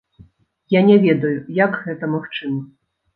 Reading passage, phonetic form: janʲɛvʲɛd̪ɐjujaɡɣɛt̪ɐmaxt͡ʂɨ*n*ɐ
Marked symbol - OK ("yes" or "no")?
no